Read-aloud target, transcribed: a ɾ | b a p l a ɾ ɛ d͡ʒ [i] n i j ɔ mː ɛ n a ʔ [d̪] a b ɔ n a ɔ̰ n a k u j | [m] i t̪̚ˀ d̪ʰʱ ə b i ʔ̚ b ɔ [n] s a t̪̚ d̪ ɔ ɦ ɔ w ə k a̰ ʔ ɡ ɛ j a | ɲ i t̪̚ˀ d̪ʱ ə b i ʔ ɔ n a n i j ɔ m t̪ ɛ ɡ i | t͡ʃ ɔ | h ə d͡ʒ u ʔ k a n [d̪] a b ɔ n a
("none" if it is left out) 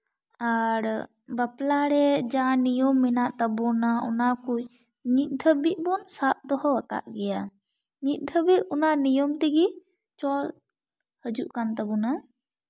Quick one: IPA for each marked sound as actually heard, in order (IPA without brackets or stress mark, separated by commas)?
a, t̪, ɲ, n, t̪